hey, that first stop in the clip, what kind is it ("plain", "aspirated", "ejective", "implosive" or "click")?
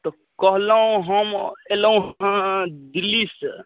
plain